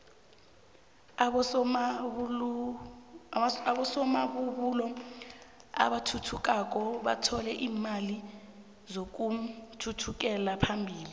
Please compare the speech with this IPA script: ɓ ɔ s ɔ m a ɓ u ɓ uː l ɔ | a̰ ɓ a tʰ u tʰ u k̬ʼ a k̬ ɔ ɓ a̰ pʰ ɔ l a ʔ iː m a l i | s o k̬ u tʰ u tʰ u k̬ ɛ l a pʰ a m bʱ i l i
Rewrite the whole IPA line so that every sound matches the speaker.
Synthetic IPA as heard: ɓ ɔ s ɔ m a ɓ u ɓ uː l ɔ | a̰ ɓ a tʰ u tʰ u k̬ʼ a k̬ ɔ ɓ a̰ tʰ ɔ l ɛ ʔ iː m a l i | z o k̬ u tʰ u tʰ u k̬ ɛ l a pʰ a m bʱ iː l i